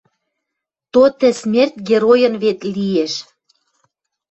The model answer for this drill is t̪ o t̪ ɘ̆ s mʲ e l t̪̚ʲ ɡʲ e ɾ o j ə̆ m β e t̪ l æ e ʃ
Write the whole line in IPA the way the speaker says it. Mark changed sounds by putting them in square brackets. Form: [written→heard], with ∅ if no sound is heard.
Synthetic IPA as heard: t̪ o t̪ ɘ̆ s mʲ e [l→r] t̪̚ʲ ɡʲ e ɾ o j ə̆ [m→n] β e t̪ l [æ→i] e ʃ